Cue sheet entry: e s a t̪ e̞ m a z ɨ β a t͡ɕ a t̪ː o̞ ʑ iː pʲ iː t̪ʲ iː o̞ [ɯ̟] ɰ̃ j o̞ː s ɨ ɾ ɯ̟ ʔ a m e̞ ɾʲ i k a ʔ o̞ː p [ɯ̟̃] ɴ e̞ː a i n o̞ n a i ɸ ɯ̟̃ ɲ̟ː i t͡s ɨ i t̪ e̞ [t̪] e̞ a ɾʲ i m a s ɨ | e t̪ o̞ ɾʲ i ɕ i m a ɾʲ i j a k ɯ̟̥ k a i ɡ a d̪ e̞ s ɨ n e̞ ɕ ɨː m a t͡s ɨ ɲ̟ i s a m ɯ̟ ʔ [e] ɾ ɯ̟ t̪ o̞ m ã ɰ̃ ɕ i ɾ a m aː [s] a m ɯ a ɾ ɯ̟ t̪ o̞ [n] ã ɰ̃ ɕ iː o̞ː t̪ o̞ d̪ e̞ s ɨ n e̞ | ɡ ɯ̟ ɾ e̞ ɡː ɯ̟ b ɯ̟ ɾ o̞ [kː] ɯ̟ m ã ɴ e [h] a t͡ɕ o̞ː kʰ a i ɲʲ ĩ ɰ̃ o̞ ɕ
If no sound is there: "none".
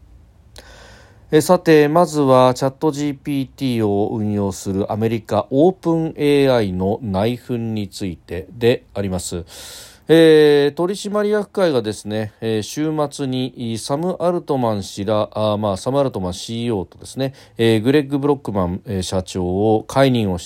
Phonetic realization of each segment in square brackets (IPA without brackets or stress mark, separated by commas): ɯ̟̃, ɯ̟̃, d̪, a, s, m, kː, ɕ